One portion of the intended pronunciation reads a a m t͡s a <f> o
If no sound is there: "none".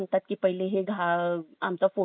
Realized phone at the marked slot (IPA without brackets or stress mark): f